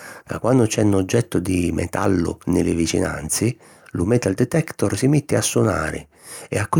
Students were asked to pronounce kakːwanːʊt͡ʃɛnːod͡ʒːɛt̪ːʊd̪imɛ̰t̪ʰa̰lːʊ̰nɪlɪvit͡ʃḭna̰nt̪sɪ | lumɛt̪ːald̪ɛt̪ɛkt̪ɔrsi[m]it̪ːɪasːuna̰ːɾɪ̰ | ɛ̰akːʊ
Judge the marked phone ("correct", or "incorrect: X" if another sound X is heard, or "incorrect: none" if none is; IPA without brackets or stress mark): correct